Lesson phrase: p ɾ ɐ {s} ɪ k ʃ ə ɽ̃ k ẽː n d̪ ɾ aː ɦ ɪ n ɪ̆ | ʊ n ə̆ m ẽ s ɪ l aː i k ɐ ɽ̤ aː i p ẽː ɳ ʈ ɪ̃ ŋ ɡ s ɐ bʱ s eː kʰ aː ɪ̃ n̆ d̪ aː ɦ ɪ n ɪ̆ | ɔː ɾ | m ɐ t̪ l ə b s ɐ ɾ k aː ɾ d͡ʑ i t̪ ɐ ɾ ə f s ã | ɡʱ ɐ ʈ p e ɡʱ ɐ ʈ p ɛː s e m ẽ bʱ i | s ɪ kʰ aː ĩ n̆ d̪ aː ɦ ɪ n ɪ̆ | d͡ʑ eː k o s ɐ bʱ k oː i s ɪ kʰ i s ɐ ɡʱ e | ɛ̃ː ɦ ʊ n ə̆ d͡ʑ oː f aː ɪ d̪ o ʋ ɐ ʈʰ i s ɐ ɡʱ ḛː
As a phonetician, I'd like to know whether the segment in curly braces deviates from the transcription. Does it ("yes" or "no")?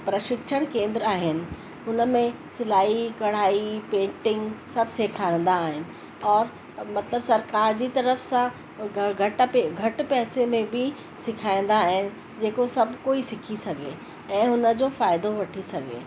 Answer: yes